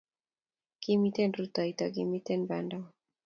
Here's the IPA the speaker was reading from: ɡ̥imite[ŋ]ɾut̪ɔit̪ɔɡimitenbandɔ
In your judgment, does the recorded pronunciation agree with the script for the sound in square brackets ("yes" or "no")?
no